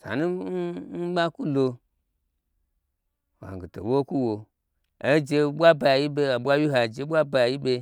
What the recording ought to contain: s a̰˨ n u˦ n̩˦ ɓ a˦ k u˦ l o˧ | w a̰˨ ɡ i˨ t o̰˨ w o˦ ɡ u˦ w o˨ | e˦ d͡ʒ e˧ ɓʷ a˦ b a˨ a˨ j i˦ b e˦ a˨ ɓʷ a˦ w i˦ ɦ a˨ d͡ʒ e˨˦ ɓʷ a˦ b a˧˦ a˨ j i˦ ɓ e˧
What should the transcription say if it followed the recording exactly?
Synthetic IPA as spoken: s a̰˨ n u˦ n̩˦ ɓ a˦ k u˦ l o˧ | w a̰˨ ɡ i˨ t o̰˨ w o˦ k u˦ w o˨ | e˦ d͡ʒ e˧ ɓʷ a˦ b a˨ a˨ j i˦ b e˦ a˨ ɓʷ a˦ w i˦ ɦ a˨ d͡ʒ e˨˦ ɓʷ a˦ b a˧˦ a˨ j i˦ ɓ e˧